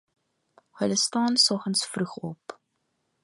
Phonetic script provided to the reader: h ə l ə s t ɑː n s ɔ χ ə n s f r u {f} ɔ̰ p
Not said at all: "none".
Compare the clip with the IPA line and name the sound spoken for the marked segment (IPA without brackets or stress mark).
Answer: χ